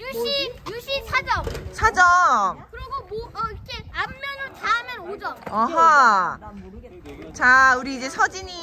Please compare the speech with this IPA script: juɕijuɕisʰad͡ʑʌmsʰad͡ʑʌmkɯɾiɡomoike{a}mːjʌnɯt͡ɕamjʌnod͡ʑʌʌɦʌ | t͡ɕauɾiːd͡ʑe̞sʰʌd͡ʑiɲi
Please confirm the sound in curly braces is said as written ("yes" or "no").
yes